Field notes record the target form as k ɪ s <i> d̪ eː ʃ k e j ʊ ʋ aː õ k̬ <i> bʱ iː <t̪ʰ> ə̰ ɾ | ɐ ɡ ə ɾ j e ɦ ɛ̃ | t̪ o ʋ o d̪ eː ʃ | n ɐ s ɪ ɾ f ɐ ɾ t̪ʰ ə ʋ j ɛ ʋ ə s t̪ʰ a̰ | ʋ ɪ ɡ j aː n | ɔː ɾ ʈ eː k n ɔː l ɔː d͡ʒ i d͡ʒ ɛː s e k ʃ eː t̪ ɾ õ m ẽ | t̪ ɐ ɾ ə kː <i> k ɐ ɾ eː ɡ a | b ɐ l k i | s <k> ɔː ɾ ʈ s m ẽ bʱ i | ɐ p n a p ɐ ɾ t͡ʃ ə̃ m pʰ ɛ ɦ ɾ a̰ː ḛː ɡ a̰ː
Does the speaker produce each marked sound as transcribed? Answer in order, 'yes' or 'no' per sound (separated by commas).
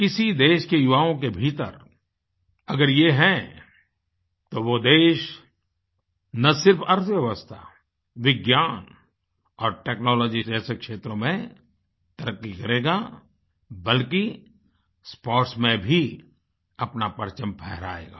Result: yes, no, no, yes, no